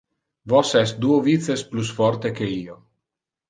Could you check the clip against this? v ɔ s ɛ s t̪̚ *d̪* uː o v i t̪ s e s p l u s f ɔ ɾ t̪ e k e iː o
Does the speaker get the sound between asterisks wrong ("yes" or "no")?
no